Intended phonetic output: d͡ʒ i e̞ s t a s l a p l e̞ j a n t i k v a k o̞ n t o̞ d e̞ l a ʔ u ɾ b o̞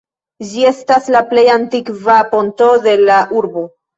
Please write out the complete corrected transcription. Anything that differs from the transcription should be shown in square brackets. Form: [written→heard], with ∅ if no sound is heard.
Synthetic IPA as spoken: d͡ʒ i e̞ s t a s l a p l e̞ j a n t i k v a [k→p] o̞ n t o̞ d e̞ l a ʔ u ɾ b o̞